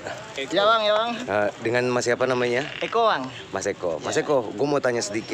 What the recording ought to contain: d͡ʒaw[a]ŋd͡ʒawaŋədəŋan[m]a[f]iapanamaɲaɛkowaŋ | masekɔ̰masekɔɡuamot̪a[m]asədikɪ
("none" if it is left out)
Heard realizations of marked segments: a, m, s, ɲ

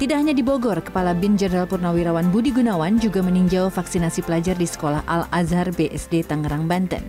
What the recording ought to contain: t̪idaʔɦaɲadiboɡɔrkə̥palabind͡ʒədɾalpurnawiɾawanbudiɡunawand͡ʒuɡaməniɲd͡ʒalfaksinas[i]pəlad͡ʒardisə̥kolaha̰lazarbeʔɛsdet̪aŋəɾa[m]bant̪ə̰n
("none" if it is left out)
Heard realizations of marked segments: i, ŋ

